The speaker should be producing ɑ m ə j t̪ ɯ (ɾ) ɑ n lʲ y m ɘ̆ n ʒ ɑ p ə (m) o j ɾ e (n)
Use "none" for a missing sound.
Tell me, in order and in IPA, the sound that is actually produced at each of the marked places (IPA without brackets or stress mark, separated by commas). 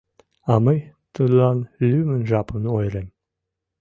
l, n, m